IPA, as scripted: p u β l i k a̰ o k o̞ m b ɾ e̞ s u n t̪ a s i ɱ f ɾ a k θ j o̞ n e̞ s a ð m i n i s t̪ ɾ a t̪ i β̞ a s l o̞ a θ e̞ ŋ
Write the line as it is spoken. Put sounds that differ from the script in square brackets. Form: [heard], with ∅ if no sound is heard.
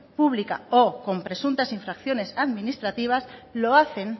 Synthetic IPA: p u β l i k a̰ o k o̞ m [p] ɾ e̞ s u n t̪ a s i ɱ f ɾ a k θ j o̞ n e̞ s a ð m i n i s t̪ ɾ a t̪ i β̞ a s l o̞ a θ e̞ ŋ